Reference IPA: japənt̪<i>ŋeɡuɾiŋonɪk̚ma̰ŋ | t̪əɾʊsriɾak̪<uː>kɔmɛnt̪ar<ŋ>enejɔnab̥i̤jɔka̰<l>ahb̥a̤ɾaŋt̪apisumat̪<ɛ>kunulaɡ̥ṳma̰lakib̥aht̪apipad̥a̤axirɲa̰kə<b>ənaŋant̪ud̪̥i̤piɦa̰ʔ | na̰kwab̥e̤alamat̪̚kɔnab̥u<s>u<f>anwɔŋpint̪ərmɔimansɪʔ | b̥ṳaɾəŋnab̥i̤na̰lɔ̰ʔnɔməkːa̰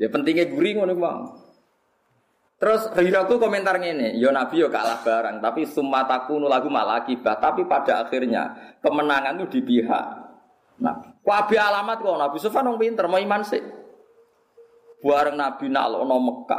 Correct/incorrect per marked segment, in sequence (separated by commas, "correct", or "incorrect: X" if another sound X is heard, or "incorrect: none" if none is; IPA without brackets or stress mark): correct, incorrect: u, correct, correct, incorrect: a, incorrect: m, correct, correct